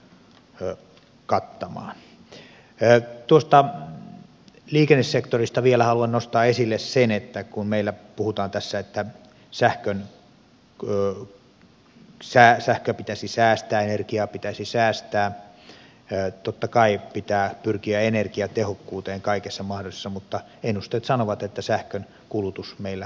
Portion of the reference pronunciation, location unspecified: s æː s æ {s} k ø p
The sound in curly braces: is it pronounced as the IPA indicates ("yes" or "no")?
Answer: no